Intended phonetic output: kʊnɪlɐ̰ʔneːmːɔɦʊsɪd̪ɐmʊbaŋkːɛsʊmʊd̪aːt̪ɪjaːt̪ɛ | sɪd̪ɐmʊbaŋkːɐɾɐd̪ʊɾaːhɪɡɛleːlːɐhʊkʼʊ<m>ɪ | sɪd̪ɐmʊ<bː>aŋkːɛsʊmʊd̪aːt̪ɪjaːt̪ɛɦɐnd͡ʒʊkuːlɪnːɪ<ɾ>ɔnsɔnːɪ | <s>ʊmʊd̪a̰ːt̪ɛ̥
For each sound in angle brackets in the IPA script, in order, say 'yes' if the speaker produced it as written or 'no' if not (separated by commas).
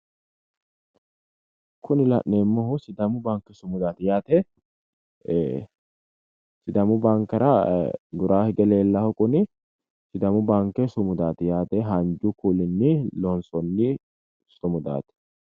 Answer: no, no, no, yes